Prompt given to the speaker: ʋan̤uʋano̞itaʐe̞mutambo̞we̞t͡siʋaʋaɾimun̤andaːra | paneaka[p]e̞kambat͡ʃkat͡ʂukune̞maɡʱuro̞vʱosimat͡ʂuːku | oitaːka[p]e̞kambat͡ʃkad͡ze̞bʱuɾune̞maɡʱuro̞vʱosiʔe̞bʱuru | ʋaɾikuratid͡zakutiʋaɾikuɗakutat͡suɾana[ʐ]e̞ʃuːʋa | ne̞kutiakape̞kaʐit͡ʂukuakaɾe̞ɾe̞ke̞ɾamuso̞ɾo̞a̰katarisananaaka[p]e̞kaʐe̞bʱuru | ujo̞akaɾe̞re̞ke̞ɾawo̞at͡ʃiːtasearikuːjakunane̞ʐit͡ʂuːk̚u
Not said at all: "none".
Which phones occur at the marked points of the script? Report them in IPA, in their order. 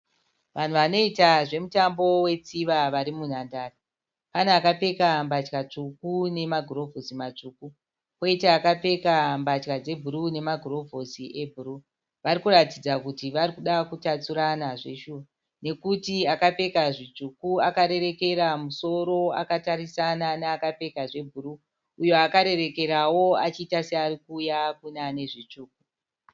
p, p, ʐ, p

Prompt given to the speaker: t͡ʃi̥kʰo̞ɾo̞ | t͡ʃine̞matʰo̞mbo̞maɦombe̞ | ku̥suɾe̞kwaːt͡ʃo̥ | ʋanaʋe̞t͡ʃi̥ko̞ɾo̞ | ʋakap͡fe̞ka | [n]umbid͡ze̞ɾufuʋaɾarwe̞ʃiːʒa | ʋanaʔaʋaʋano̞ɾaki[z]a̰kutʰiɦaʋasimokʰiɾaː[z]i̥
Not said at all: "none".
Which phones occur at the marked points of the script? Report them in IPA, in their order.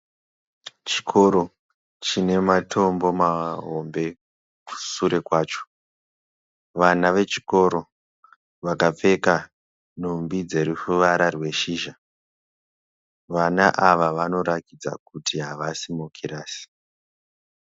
n, d͡z, s

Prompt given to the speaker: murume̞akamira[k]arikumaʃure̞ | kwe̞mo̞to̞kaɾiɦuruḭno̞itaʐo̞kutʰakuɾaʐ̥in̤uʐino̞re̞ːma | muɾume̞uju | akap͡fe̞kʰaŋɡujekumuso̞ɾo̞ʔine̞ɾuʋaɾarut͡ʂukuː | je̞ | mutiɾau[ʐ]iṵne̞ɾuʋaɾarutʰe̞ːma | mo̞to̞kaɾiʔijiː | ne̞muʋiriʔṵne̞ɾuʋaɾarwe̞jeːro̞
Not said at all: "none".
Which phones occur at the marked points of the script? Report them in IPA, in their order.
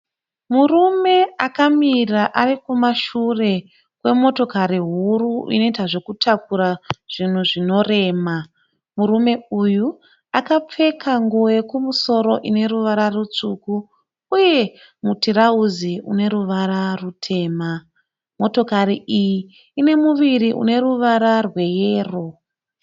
ʔ, z

